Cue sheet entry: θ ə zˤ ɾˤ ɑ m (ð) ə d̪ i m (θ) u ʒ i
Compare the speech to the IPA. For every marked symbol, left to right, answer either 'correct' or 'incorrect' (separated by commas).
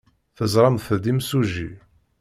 incorrect, incorrect